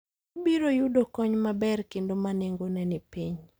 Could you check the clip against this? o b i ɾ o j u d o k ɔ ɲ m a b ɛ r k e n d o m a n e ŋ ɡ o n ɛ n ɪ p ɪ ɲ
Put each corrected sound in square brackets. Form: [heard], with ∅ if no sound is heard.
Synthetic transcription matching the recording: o b i ɾ o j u d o k ɔ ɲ m a b ɛ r k e n d o m a n e ŋ ɡ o n ɛ n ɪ p [i] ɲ